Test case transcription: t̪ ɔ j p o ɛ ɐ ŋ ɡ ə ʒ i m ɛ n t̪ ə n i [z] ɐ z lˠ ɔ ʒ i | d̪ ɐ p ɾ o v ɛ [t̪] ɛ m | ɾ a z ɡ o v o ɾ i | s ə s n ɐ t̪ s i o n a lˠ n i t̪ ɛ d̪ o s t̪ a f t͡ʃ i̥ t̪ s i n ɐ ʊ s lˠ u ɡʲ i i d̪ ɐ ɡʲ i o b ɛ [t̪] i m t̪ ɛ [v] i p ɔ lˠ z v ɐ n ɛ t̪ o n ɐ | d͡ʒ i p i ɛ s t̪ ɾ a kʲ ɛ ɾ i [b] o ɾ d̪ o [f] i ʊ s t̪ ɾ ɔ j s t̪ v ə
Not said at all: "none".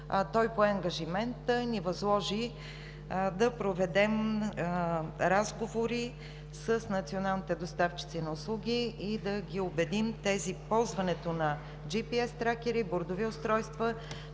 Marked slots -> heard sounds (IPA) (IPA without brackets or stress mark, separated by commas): v, d̪, d̪, z, b, v